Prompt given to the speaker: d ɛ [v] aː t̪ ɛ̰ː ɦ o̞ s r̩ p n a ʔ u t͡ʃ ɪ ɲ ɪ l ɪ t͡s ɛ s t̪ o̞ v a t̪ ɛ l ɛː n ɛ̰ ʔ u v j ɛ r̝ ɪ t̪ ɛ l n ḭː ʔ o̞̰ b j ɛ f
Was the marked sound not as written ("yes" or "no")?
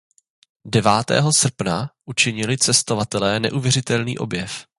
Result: no